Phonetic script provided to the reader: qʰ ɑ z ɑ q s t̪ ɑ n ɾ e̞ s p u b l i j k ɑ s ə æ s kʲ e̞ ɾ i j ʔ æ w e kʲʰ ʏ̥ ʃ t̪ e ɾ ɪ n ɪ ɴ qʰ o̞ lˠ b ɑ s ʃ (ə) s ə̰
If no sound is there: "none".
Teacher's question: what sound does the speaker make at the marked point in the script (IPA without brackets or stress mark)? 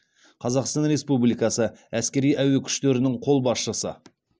ə